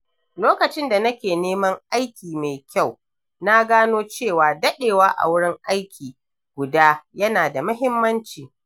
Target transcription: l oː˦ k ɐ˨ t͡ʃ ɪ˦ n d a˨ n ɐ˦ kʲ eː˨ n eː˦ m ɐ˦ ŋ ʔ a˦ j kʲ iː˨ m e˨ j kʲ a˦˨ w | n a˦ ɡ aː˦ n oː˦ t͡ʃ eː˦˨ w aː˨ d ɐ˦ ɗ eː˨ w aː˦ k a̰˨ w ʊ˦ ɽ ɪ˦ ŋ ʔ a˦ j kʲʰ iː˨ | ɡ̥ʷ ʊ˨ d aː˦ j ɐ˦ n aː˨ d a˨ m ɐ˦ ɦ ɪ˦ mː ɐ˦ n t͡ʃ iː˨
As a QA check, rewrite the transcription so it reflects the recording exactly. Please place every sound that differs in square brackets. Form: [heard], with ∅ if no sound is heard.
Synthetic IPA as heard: l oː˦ k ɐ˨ t͡ʃ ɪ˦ n d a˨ n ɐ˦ kʲ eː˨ n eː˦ m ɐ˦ ŋ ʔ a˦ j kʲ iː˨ m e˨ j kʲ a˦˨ w | n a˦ ɡ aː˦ n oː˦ t͡ʃ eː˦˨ w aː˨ d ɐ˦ ɗ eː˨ w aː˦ [ʔ] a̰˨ w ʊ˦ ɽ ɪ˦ ŋ ʔ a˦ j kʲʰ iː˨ | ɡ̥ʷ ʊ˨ d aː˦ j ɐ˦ n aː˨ d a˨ m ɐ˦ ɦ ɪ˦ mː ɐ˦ n t͡ʃ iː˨